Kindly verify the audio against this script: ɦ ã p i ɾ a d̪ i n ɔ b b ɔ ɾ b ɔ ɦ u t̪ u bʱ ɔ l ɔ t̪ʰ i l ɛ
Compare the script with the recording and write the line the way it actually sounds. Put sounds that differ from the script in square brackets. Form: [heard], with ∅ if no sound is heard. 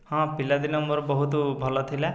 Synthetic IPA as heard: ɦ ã p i [l] a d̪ i n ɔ [m] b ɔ ɾ b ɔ ɦ u t̪ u bʱ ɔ l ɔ t̪ʰ i l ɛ

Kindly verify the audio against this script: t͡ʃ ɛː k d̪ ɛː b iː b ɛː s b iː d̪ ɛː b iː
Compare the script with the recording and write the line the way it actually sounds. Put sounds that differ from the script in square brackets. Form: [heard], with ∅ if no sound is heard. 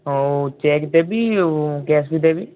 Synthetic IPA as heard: t͡ʃ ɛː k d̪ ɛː b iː [ɡ] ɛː s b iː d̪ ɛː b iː

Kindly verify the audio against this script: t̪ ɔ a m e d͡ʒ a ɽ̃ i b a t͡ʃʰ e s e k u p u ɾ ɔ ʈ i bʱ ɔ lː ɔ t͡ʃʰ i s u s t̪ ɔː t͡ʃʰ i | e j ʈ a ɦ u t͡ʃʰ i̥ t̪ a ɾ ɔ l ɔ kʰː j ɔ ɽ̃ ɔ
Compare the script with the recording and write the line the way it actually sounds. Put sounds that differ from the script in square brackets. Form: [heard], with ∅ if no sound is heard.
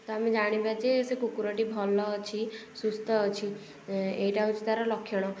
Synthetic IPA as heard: t̪ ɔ a m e d͡ʒ a ɽ̃ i b a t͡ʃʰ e s e k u [k] u ɾ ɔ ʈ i bʱ ɔ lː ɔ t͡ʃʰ i s u s t̪ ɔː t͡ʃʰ i | e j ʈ a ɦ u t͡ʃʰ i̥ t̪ a ɾ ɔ l ɔ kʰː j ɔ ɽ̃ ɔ

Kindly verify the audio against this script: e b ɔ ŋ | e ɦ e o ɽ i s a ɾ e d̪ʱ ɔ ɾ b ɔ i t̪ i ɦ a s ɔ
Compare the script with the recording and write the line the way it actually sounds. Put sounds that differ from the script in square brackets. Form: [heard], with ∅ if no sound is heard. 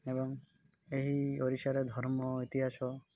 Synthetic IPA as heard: e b ɔ ŋ | e ɦ [i] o [ɾ] i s a ɾ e d̪ʱ ɔ ɾ [m] ɔ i t̪ i ɦ a s ɔ

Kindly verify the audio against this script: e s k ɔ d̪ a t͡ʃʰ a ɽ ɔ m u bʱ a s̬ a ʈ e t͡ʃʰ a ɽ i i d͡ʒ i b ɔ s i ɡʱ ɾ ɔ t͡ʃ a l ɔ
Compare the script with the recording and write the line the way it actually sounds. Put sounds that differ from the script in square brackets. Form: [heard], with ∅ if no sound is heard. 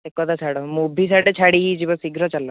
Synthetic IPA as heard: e [∅] k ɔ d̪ a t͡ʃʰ a ɽ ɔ m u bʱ [i] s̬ a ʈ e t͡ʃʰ a ɽ i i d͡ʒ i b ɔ s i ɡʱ ɾ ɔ t͡ʃ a l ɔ

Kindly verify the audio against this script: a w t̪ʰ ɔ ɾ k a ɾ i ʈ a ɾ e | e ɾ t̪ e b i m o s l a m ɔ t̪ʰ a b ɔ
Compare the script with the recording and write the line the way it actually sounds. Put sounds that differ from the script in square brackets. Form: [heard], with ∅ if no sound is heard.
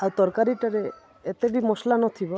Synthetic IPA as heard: a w [t̪] ɔ ɾ k a ɾ i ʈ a ɾ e | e [∅] t̪ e b i m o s l a [n] ɔ t̪ʰ [i] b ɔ

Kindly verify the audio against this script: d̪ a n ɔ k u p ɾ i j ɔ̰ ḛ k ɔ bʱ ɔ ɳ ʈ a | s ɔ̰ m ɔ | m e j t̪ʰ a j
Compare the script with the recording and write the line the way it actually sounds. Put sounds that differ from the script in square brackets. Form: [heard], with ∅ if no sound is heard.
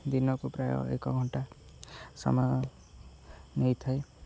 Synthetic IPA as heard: d̪ [i] n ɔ k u p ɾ [a] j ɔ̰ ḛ k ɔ [ɡʱ] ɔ ɳ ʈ a | s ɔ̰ m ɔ | [n] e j t̪ʰ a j

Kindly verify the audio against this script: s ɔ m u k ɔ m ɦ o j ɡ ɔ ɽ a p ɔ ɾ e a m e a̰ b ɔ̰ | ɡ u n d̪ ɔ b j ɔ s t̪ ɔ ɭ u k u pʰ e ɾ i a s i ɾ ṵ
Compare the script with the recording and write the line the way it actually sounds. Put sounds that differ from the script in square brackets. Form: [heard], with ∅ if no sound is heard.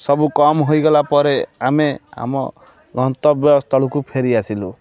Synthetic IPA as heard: s ɔ [b] u k ɔ m ɦ o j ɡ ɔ [l] a p ɔ ɾ e a m e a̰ [m] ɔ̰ | ɡ [ɔ] n [t̪] ɔ b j ɔ s t̪ ɔ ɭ u k u pʰ e ɾ i a s i [l] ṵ

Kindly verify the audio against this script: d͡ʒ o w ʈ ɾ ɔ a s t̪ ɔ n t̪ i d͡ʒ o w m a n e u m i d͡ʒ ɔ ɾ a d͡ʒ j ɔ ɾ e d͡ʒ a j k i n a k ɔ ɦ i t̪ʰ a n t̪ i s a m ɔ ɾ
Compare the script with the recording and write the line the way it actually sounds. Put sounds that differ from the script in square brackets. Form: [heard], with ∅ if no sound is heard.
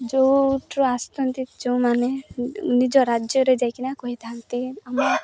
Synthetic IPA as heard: d͡ʒ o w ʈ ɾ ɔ a s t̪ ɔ n t̪ i d͡ʒ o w m a n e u [n] i d͡ʒ ɔ ɾ a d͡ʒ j ɔ ɾ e d͡ʒ a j k i n a k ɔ ɦ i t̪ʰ a n t̪ i [∅] a m ɔ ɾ

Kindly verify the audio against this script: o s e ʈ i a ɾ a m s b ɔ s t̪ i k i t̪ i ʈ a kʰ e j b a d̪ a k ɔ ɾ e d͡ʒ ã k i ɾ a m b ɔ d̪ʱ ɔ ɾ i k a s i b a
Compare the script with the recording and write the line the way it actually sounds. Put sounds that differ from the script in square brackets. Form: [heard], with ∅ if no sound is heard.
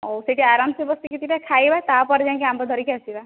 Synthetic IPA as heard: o s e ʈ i a ɾ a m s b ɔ s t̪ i k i t̪ i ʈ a kʰ [a] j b a [t̪] a [p] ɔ ɾ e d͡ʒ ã k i [∅] a m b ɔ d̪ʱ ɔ ɾ i k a s i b a

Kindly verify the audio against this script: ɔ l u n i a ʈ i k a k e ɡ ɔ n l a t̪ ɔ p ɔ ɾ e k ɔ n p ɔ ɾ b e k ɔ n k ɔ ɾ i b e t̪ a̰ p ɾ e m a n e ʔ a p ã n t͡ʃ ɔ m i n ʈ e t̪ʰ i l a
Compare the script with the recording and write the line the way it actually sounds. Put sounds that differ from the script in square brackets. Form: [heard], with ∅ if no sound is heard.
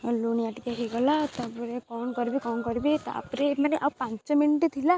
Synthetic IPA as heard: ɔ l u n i a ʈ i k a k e ɡ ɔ [∅] l a t̪ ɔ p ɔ ɾ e k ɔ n [k] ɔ ɾ b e k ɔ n k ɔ ɾ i b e t̪ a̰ p ɾ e m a n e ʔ a p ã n t͡ʃ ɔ m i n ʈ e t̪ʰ i l a

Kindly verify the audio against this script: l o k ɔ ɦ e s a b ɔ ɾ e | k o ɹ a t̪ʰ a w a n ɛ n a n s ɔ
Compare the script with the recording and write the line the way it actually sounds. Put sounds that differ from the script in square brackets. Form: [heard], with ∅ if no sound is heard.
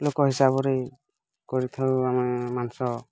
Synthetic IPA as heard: l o k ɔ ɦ [i] s a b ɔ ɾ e | k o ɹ [i] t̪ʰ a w a [m] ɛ [m] a n s ɔ

